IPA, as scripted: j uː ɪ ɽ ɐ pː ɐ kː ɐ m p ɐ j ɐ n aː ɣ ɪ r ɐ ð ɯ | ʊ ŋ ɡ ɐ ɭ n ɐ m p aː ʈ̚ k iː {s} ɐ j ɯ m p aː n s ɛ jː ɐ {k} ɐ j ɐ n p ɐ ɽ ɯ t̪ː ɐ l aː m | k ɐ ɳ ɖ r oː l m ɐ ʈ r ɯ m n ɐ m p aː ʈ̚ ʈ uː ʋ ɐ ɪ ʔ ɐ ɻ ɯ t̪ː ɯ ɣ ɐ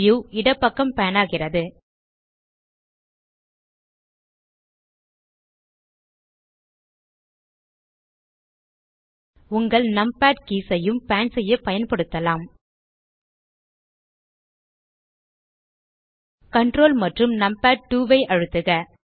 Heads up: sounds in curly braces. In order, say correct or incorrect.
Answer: correct, incorrect

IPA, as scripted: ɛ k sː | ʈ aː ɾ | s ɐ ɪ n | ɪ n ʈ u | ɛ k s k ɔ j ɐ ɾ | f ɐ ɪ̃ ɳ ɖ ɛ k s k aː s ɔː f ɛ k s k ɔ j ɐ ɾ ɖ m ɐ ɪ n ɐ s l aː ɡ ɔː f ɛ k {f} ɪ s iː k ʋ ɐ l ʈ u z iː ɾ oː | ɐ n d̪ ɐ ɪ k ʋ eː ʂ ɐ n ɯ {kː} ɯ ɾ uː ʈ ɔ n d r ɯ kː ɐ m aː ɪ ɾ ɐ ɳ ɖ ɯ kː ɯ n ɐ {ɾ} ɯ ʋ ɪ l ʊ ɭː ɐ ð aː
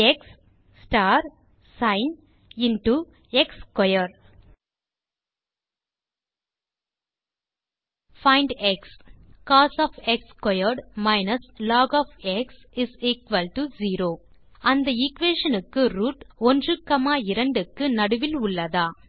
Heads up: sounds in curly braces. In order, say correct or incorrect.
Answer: incorrect, correct, incorrect

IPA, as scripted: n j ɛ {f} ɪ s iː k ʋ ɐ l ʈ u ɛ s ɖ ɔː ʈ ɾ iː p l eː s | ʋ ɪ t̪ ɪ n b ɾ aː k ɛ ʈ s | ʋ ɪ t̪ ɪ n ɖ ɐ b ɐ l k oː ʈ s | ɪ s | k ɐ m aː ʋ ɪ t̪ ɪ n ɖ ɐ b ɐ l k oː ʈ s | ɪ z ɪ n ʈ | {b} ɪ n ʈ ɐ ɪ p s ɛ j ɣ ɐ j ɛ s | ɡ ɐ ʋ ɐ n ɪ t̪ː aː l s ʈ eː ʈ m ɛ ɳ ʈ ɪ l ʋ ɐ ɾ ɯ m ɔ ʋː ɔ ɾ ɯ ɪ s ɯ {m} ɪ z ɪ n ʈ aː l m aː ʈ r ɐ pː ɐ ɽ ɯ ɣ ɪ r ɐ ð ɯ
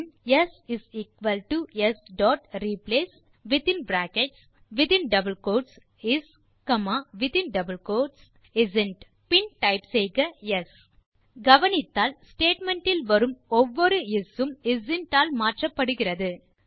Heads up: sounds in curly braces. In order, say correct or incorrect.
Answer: incorrect, incorrect, correct

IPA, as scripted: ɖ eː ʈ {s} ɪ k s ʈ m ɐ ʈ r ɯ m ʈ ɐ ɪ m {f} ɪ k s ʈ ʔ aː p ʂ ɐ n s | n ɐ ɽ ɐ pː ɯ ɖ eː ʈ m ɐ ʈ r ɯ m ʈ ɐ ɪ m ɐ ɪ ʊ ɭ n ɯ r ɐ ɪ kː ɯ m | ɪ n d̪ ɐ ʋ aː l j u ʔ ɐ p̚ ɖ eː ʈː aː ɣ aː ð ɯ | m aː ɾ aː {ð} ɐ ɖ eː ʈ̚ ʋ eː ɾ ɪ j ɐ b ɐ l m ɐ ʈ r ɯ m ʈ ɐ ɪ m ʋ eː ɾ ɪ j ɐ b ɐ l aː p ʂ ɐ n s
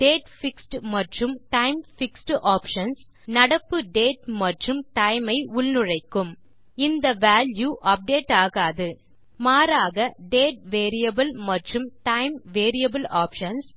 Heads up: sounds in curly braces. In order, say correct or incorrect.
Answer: incorrect, correct, incorrect

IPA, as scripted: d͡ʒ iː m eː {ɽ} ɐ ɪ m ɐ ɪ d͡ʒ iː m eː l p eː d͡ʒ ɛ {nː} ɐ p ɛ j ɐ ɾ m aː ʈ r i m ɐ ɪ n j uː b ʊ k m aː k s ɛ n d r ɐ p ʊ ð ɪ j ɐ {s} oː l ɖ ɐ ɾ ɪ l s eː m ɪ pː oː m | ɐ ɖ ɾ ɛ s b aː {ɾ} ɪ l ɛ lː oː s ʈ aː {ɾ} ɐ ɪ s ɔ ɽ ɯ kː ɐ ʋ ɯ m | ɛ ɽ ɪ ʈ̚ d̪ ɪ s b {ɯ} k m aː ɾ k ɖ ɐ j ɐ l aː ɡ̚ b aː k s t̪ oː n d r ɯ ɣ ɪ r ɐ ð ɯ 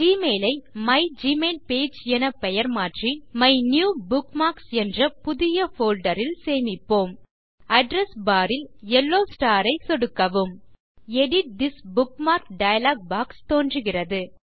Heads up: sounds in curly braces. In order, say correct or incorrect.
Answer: incorrect, incorrect, incorrect, correct, correct, incorrect

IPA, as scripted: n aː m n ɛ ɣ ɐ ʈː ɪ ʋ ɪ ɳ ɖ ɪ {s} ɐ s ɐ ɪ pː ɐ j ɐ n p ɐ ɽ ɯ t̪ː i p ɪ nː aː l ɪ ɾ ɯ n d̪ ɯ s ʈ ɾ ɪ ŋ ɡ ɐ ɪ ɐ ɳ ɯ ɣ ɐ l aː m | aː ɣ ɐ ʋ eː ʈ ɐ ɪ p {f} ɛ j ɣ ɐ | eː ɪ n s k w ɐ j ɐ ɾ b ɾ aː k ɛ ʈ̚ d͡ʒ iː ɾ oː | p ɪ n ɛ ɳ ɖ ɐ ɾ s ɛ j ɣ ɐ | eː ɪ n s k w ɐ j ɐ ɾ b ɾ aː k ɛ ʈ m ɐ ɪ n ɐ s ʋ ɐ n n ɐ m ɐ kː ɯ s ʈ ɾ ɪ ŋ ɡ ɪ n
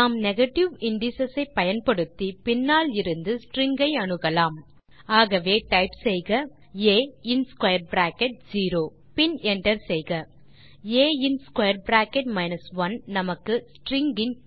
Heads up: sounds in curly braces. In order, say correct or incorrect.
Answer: correct, incorrect

